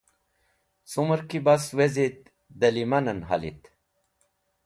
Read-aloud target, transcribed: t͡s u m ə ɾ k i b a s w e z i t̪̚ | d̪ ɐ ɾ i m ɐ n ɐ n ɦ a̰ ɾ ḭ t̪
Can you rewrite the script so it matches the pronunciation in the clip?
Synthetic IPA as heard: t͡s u m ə ɾ k i b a s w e z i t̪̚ | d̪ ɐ l i m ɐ n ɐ n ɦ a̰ l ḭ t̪